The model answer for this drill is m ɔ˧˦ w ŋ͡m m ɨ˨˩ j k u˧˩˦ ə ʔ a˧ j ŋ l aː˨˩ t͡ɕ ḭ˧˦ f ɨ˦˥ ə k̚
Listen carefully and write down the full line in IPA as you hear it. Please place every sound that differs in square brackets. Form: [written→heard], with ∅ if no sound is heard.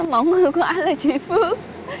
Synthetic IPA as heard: m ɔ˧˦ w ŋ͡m [m→ŋ] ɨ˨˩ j k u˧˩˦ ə ʔ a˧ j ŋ l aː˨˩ t͡ɕ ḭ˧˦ f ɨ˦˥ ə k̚

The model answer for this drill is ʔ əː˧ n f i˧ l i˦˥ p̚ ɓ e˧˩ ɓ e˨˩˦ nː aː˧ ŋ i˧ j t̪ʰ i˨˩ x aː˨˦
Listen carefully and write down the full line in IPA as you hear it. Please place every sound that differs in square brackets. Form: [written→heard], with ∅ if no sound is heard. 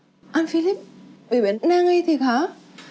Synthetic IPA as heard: ʔ [əː˧→aː˧] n f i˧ l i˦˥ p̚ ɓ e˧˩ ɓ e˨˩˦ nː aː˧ ŋ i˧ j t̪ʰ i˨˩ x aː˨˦

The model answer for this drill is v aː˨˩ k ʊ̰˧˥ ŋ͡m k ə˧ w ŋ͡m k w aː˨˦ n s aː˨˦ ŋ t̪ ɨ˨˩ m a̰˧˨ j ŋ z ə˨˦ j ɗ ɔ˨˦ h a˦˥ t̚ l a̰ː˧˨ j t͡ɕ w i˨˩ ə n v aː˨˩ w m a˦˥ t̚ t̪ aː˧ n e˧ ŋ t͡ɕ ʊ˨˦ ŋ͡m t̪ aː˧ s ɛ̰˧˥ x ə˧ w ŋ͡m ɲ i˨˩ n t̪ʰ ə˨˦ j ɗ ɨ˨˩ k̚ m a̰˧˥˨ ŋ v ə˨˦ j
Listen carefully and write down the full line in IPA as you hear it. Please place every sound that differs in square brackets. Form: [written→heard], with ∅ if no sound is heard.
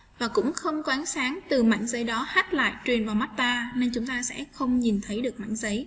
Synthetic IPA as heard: v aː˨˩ k ʊ̰˧˥ ŋ͡m [k→x] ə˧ w ŋ͡m k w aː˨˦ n s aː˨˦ ŋ t̪ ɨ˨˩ m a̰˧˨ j ŋ z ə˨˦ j ɗ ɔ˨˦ h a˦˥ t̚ l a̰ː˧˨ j t͡ɕ w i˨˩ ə n v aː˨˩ w m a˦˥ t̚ t̪ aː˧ n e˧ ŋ t͡ɕ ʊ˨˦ ŋ͡m t̪ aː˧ s ɛ̰˧˥ x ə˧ w ŋ͡m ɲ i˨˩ n t̪ʰ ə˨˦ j ɗ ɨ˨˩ k̚ m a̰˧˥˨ ŋ [v→z] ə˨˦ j

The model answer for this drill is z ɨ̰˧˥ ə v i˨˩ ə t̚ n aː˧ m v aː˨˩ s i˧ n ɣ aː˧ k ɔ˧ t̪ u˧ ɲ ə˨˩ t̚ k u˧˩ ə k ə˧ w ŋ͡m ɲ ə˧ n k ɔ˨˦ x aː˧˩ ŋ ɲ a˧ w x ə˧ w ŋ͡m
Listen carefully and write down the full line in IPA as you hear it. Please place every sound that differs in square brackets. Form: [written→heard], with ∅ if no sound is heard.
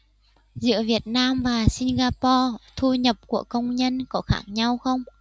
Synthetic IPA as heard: z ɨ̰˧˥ ə v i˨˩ ə t̚ n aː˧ m v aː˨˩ s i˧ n ɣ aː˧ [k→p] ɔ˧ [t̪→t̪ʰ] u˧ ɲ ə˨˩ [t̚→p̚] k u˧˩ ə k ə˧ w ŋ͡m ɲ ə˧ n k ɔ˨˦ x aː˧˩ ŋ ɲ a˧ w x ə˧ w ŋ͡m

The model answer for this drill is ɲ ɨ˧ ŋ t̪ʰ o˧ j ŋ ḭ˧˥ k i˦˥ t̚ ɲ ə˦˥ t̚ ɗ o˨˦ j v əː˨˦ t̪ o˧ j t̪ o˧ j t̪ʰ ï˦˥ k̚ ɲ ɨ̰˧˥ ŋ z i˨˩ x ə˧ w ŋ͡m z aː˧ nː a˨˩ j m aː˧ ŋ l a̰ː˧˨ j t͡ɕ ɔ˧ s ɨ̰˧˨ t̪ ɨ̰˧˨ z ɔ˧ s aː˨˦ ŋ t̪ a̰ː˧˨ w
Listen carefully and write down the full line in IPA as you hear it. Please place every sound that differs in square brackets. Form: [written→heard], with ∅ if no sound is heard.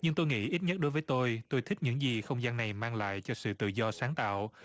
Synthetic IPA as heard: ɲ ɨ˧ ŋ [t̪ʰ→t̪] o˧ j ŋ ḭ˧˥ [k→ʔ] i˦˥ t̚ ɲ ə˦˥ t̚ ɗ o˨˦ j v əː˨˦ t̪ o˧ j t̪ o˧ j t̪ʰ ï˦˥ k̚ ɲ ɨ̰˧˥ ŋ z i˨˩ x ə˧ w ŋ͡m z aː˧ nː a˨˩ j m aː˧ ŋ l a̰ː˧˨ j t͡ɕ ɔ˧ s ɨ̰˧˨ t̪ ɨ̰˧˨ z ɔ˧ s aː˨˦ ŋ t̪ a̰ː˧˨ w

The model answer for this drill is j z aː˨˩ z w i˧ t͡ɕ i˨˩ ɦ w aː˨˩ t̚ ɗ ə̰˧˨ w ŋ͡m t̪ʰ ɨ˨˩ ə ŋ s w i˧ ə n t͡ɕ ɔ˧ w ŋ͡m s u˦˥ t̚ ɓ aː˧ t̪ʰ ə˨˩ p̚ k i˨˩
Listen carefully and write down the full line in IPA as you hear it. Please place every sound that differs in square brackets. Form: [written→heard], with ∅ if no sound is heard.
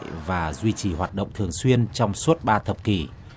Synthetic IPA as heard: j [z→v] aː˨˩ z w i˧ t͡ɕ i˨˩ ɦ w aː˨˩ t̚ ɗ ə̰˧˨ w ŋ͡m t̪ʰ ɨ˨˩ ə ŋ s w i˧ ə n t͡ɕ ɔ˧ w ŋ͡m s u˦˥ t̚ ɓ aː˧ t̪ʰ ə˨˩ p̚ k i˨˩

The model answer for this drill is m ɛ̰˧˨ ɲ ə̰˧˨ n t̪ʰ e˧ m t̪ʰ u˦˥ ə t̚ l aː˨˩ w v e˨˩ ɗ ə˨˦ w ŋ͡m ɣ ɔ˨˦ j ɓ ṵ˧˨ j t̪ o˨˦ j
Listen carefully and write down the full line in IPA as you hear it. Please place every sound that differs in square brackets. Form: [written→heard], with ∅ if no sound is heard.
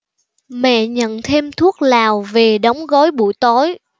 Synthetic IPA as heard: m ɛ̰˧˨ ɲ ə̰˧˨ n t̪ʰ e˧ m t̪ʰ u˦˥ ə [t̚→k̚] l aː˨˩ w v e˨˩ ɗ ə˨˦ w ŋ͡m ɣ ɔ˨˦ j ɓ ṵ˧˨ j t̪ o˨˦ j

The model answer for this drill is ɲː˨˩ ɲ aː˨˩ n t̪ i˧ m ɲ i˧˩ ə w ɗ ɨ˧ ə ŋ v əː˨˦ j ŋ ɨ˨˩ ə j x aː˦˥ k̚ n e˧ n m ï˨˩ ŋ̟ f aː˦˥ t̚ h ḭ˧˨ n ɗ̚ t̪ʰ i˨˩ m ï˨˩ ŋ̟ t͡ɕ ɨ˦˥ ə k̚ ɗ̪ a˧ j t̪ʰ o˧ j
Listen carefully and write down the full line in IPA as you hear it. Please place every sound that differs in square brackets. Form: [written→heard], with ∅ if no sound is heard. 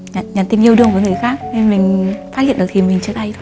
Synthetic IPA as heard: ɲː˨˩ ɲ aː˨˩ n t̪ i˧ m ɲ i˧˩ ə w ɗ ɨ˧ ə ŋ v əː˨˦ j ŋ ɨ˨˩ ə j x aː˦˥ k̚ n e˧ n m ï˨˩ ŋ̟ f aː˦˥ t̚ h ḭ˧˨ n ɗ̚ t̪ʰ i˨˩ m ï˨˩ ŋ̟ t͡ɕ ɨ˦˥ ə k̚ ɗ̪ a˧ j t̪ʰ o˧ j

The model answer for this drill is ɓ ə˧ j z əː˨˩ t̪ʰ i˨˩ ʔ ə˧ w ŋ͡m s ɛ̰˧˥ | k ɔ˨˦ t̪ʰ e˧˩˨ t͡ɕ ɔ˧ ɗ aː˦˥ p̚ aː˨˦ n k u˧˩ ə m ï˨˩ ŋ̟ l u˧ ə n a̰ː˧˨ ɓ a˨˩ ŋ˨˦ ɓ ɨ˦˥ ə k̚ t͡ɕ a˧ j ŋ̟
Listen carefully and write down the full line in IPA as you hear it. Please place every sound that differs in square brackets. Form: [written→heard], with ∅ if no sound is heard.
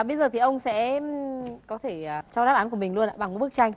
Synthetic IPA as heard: ɓ ə˧ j z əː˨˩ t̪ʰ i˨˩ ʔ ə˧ w ŋ͡m s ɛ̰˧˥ | k ɔ˨˦ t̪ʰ e˧˩˨ t͡ɕ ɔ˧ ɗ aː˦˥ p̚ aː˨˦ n k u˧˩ ə m ï˨˩ ŋ̟ l u˧ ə n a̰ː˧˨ ɓ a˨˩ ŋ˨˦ ɓ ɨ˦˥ ə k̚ t͡ɕ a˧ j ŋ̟

